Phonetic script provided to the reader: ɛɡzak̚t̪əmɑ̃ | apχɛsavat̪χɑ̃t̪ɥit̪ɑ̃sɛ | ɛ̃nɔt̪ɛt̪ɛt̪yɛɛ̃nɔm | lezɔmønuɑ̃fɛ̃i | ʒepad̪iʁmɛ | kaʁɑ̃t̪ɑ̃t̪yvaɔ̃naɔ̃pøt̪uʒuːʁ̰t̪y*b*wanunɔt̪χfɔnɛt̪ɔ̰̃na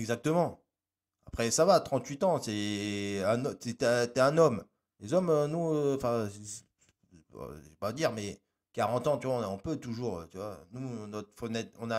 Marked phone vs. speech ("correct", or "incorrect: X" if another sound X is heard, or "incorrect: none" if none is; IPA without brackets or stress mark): incorrect: v